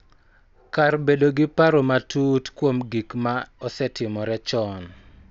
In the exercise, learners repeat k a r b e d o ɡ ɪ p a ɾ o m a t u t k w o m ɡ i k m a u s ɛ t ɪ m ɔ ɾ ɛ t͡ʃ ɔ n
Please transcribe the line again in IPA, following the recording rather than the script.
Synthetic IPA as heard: k a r b e d o ɡ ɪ p a ɾ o m a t u t k w o m ɡ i k m a ɔ s ɛ t ɪ m ɔ ɾ ɛ t͡ʃ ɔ n